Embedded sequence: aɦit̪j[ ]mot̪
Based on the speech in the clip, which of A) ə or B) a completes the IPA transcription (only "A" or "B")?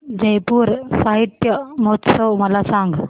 A